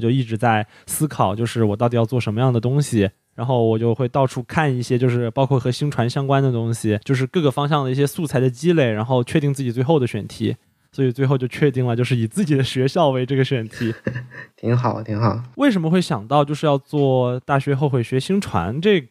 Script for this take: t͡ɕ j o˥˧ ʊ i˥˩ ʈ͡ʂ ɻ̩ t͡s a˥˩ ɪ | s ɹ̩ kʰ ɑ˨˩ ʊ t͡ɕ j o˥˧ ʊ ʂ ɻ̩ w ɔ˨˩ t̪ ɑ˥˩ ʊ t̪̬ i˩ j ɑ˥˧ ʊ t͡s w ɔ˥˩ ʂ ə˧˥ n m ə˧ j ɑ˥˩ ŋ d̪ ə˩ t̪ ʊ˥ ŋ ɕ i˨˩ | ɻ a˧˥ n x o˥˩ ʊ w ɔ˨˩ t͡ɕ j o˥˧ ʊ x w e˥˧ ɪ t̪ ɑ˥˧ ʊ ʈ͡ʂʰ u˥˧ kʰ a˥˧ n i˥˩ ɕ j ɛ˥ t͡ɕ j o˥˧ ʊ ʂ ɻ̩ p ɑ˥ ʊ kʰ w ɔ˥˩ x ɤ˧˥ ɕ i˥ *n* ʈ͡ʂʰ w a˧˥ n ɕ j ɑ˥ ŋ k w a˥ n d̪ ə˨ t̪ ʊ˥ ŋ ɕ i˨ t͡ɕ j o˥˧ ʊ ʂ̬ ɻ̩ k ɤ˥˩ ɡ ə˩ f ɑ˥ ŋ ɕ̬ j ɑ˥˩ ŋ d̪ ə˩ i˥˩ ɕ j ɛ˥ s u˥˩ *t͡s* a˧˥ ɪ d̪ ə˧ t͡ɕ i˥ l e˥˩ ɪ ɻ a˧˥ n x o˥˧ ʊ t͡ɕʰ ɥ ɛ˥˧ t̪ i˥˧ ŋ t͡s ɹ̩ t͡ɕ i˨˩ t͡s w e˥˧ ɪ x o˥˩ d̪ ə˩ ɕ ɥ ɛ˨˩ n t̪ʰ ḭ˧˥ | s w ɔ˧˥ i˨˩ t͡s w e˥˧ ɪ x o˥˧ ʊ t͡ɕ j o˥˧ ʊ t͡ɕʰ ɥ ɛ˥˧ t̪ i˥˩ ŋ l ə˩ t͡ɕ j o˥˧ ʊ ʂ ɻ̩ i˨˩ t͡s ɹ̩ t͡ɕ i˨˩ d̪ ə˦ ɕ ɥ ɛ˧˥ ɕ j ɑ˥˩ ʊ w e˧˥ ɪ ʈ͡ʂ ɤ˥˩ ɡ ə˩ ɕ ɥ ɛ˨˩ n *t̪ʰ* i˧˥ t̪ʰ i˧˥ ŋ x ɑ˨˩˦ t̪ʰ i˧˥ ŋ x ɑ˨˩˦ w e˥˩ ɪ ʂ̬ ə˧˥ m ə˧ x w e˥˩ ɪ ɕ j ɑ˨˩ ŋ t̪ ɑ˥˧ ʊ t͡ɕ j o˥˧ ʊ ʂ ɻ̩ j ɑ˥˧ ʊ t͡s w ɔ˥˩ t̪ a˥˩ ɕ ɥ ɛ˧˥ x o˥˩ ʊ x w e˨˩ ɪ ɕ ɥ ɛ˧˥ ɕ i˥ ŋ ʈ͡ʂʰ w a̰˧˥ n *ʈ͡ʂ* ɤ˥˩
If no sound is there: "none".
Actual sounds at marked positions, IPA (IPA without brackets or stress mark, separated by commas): ŋ, t͡sʰ, t̪ʰ, ʈ͡ʂ